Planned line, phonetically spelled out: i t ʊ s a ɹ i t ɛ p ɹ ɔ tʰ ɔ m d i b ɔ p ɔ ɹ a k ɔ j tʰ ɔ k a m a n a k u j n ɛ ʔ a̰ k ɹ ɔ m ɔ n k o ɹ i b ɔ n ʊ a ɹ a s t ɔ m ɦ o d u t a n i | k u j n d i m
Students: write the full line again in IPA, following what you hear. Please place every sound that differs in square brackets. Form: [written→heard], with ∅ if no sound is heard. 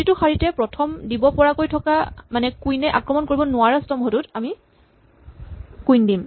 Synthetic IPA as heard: i t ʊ [s→x] a ɹ i t ɛ p ɹ ɔ tʰ ɔ m d i b ɔ p ɔ ɹ a k [ɔ→o] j tʰ ɔ k a m a n [a→ɛ] k u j n ɛ ʔ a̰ k ɹ ɔ m ɔ n k o ɹ i b ɔ n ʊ a ɹ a s t ɔ m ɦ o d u t a [n→m] i | k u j n d i m